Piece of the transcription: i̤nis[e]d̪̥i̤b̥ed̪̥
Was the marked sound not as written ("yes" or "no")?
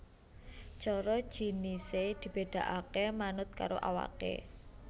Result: no